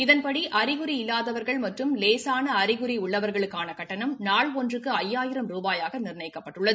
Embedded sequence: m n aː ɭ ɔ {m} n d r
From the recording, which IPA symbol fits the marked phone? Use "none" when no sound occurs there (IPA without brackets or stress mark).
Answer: none